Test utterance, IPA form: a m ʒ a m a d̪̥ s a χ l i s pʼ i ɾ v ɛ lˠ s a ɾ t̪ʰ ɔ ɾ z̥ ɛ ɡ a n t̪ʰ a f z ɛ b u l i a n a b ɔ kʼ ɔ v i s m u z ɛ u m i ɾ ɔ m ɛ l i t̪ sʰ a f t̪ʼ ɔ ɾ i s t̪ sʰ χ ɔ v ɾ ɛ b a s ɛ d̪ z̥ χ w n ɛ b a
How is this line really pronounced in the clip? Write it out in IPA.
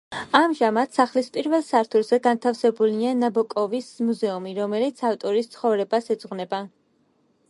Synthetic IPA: a m ʒ a m a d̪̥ s a χ l i s pʼ i ɾ v ɛ lˠ s a ɾ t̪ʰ u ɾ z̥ ɛ ɡ a n t̪ʰ a f s ɛ b u l i a n a b ɔ kʼ ɔ v i s m u z ɛ u m i ɾ ɔ m ɛ l i t̪ sʰ a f t̪ʼ ɔ ɾ i s t̪ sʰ χ ɔ v ɾ ɛ b a s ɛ d̪ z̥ ʁ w n ɛ b a